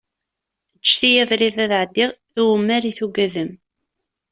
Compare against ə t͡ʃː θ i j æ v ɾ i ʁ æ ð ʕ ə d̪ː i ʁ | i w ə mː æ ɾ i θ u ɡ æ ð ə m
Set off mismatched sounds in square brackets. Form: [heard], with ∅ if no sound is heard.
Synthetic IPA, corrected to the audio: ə t͡ʃː θ i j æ v ɾ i [ð] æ ð ʕ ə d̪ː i ʁ | i w ə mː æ ɾ i θ u ɡ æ ð ə m